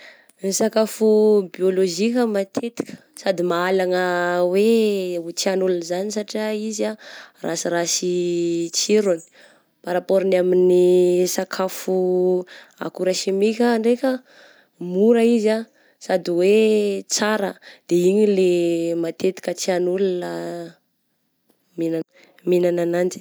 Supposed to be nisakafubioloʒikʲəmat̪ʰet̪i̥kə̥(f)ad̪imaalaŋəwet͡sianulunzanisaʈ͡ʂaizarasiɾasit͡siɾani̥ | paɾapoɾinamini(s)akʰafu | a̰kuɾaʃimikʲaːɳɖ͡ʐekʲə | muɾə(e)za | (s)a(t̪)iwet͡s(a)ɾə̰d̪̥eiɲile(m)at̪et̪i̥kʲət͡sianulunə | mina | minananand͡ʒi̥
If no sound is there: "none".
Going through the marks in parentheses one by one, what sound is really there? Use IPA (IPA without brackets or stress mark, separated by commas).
s, s, i, s, d̪, a, m